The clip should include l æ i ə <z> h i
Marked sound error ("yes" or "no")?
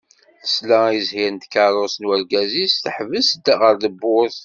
no